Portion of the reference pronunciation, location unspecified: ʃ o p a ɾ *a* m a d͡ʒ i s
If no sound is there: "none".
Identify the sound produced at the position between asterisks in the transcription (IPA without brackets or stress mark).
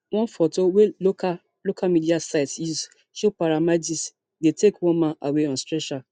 a